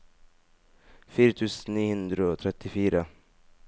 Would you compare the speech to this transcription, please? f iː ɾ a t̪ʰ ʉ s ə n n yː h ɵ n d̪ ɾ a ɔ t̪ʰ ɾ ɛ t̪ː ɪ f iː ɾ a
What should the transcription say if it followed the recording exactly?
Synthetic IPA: f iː ɾ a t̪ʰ ʉː s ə n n iː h ɵ n d̪ ɾ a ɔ t̪ʰ ɾ ɛ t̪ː ɪ f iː ɾ a